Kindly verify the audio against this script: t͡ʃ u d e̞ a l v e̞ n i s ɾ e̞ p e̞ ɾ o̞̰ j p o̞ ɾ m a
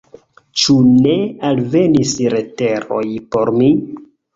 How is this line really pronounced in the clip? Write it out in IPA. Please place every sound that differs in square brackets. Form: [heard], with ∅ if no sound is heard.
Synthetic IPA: t͡ʃ u [n] e̞ a l v e̞ n i s ɾ e̞ [t] e̞ ɾ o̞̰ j p o̞ ɾ m [i]